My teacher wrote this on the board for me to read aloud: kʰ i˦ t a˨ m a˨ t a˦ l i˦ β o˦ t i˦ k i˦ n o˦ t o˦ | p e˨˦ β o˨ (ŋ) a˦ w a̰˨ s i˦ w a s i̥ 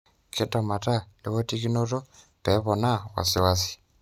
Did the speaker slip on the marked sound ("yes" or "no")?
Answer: yes